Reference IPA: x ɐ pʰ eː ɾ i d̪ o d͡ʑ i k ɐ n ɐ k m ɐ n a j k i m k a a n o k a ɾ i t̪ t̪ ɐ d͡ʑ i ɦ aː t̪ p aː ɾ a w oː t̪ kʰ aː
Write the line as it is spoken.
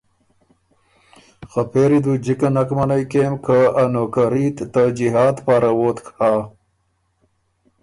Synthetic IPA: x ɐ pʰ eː ɾ i d̪ u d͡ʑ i k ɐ n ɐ k m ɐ n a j k e m k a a n o k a ɾ i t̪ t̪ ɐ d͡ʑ i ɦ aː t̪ p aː ɾ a w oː t̪ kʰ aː